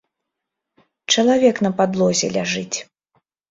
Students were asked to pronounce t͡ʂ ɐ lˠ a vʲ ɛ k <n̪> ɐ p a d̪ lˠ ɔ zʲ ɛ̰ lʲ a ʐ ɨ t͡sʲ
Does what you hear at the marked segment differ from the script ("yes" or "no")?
no